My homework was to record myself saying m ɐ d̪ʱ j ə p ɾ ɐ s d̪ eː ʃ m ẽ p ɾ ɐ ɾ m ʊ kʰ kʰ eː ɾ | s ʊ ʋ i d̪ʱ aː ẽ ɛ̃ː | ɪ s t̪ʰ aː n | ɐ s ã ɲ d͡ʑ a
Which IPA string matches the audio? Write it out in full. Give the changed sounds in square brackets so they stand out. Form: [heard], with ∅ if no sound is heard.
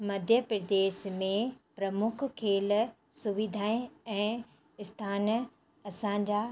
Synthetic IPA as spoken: m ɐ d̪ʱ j ə p ɾ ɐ [∅] d̪ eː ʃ m ẽ p ɾ ɐ [∅] m ʊ kʰ kʰ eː [l] | s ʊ ʋ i d̪ʱ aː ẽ ɛ̃ː | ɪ s t̪ʰ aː n | ɐ s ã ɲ d͡ʑ a